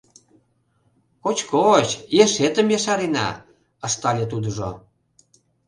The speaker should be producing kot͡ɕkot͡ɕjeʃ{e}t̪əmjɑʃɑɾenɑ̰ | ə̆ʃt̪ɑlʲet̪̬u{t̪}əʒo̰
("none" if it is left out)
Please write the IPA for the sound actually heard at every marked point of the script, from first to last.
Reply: e, d̪

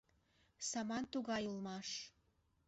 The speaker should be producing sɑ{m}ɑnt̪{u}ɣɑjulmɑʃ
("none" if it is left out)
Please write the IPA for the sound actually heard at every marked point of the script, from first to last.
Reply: m, u

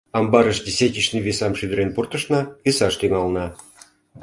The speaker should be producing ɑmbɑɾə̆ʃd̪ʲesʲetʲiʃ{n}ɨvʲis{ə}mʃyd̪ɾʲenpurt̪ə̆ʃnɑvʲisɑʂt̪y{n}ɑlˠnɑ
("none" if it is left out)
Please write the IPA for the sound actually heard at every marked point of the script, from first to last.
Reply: n, ɑ, ŋ

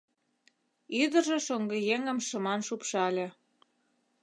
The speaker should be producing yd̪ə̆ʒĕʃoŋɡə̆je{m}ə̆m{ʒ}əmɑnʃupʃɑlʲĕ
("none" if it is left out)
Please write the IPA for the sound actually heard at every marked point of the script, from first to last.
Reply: ŋ, ʃ

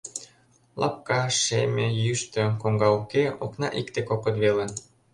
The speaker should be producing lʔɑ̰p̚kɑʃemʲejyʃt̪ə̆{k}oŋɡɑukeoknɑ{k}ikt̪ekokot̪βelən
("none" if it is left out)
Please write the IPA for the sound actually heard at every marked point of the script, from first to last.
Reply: k, ʔ

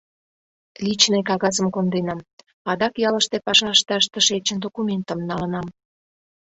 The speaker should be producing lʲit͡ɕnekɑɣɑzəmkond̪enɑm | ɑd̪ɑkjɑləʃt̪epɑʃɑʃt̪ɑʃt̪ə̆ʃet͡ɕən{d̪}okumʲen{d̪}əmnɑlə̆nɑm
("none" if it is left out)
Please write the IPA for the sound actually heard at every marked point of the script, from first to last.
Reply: d̪, t̪

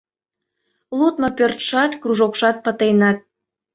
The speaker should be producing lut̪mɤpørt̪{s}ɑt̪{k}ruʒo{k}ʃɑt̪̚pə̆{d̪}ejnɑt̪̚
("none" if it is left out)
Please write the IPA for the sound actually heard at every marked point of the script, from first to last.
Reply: ʃ, k, k, t̪

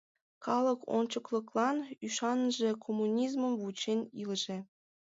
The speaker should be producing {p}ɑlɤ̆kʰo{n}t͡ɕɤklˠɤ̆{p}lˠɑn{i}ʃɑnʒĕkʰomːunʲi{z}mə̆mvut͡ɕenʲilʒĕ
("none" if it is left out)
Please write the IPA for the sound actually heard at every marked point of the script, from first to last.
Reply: k, n, k, y, z

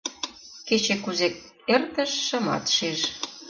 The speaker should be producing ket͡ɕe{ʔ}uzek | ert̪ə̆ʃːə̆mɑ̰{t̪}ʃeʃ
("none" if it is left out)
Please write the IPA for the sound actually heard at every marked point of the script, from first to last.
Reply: k, t̪

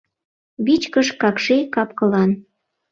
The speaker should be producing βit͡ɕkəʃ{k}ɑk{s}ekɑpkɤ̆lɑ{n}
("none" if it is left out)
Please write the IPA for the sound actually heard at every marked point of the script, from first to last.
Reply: k, ʃ, n

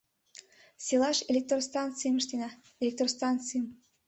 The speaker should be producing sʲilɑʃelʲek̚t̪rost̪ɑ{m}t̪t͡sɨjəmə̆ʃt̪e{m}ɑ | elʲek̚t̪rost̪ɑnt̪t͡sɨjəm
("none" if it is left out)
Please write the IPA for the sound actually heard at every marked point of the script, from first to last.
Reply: n, n

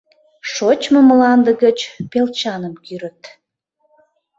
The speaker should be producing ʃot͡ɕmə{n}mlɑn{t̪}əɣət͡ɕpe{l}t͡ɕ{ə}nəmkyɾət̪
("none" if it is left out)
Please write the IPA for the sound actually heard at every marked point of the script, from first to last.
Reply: none, d̪, l, ɑ

